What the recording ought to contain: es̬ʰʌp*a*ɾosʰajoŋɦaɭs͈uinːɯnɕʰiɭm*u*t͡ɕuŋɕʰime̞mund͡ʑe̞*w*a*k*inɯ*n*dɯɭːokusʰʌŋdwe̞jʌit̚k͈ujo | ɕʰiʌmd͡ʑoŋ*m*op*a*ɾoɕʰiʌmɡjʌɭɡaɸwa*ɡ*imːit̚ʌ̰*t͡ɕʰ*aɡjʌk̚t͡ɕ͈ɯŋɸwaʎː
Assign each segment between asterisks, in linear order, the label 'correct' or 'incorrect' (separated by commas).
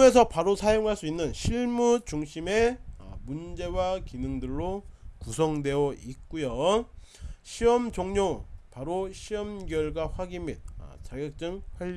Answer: correct, correct, correct, correct, incorrect, incorrect, correct, correct, incorrect